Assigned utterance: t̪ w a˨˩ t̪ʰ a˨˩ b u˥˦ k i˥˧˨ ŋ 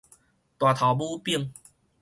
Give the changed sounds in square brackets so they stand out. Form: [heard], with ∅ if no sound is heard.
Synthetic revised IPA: t̪ w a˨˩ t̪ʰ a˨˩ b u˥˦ [p] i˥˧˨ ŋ